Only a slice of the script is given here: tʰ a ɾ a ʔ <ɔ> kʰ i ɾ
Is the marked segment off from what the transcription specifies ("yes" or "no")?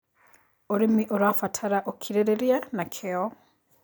yes